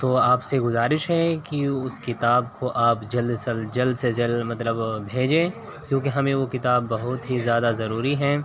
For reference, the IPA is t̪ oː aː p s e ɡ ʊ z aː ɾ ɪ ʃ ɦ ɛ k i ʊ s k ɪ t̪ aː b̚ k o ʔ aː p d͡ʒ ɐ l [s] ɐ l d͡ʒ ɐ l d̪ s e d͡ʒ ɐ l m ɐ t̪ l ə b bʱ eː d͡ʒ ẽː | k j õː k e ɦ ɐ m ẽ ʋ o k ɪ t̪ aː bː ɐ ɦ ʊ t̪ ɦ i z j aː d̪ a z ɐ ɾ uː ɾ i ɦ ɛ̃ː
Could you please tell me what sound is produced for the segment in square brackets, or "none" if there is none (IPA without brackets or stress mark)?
s